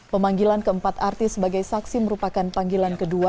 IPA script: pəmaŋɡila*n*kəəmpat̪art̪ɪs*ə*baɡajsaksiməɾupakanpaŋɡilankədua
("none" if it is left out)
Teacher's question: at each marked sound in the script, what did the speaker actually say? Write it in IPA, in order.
n, ə

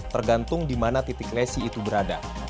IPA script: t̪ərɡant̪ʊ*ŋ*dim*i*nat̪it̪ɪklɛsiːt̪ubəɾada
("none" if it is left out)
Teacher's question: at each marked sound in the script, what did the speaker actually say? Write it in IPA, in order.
ŋ, a

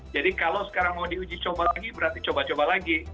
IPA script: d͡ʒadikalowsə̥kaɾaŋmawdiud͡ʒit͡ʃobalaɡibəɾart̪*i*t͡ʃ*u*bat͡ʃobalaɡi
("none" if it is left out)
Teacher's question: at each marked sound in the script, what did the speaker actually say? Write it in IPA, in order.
i, o

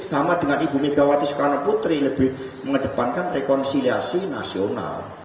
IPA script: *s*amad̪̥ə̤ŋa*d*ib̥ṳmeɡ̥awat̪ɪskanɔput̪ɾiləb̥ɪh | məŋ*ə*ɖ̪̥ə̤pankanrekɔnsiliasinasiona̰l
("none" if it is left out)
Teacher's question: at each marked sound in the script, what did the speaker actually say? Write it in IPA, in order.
s, n, ə

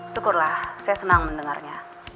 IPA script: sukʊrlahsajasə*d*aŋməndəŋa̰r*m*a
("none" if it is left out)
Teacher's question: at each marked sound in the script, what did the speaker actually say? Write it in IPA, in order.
n, ɲ

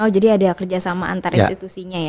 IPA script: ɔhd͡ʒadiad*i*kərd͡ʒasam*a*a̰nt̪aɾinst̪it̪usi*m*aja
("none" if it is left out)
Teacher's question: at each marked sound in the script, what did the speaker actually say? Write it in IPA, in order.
a, a, ɲ

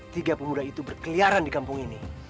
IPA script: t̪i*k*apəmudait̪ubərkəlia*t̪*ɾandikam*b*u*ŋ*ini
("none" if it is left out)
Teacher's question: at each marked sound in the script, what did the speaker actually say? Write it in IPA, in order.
ɡ, none, p, ŋ

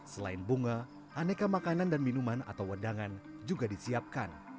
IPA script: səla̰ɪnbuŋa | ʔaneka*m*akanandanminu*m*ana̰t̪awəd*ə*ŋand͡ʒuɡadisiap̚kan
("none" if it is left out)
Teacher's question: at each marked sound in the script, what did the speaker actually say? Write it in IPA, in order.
m, m, a

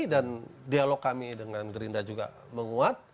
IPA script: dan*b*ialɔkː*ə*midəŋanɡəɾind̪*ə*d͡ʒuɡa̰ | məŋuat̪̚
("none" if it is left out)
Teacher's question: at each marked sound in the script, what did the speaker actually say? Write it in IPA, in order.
d, a, a

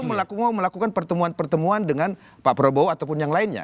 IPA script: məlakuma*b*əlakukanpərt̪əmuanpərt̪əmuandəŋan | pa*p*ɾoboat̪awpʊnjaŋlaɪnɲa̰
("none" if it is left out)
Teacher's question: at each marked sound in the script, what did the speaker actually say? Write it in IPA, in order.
m, p

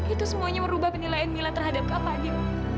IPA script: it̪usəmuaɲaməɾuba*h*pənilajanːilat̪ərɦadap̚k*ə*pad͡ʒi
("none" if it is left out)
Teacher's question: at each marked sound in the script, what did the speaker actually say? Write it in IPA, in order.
h, a

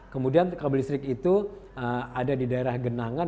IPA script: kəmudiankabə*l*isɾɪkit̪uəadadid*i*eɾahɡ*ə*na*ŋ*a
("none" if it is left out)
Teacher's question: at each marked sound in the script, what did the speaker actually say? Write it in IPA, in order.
l, a, ə, ŋ

